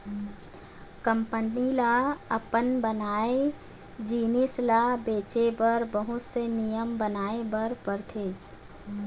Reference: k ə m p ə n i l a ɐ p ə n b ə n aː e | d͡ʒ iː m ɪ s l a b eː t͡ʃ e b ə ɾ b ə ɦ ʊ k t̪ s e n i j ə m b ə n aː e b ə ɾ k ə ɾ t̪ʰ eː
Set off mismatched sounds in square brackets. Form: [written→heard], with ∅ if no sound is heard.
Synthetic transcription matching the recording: k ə m p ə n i l a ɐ p ə n b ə n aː e | d͡ʒ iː [m→n] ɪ s l a b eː t͡ʃ e b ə ɾ b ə ɦ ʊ [k→∅] t̪ s e n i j ə m b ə n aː e b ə ɾ [k→p] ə ɾ t̪ʰ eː